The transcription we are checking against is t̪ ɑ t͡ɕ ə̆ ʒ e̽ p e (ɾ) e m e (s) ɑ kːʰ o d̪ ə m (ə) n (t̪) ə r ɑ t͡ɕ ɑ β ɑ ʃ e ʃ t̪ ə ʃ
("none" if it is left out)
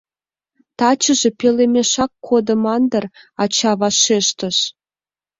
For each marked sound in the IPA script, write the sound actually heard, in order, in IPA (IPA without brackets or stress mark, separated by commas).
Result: l, ʃ, ɑ, d̪